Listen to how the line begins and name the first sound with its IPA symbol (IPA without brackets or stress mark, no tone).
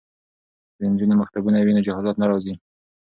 d̪